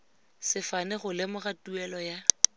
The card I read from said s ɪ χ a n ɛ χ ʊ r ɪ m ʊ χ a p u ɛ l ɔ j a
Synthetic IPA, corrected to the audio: s ɪ f a n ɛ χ ʊ l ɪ m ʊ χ a t u ɛ l ɔ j a